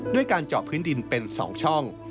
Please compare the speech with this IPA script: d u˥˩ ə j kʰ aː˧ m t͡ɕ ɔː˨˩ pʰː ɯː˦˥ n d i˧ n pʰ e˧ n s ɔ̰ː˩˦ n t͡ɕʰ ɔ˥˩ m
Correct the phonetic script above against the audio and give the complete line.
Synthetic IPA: d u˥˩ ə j k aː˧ n t͡ɕ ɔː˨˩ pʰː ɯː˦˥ n d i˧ n p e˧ n s ɔ̰ː˩˦ ŋ t͡ɕʰ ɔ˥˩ ŋ